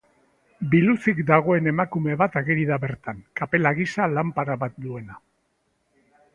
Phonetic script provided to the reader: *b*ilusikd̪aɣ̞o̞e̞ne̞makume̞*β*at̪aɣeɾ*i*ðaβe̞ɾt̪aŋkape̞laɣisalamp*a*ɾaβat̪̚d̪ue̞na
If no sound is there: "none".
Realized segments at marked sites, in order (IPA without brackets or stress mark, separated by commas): b, β, i, a